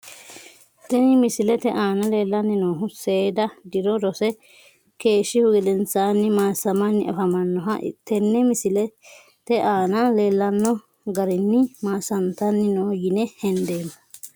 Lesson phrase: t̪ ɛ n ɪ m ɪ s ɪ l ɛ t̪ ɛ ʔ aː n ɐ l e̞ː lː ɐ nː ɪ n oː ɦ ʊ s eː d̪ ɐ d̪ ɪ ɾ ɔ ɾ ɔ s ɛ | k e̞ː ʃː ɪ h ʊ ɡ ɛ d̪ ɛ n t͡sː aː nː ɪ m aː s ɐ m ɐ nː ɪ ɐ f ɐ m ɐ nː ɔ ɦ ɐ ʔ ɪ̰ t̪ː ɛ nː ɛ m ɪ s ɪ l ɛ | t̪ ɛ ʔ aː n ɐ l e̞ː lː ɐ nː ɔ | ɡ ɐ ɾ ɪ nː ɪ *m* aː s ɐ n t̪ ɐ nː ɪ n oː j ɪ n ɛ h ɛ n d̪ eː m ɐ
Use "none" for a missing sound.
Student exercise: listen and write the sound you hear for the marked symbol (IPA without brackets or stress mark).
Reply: m